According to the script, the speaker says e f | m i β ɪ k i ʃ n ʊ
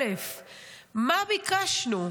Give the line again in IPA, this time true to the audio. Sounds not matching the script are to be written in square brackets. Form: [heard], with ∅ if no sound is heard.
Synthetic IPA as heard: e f | m [a] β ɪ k [a] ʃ n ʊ